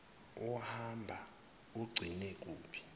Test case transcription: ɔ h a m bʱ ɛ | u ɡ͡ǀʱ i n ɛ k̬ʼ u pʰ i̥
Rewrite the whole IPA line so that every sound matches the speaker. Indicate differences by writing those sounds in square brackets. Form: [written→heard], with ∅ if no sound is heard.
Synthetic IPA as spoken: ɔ h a m bʱ [ɛ→a] | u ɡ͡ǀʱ i n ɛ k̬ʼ [u→uː] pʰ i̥